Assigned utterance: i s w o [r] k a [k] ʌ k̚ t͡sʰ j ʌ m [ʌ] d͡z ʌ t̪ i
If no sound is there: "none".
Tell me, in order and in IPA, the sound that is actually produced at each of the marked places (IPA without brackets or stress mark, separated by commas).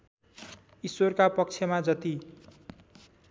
r, p, a